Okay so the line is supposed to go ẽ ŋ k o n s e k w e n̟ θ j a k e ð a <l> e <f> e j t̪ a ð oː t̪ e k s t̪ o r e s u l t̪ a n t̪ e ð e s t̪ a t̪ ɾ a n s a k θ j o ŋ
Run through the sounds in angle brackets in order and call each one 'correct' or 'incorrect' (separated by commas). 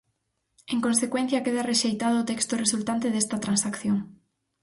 incorrect, incorrect